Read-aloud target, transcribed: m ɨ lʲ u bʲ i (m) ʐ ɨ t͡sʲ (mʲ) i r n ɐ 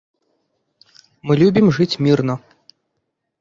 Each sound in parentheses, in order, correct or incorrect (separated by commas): correct, correct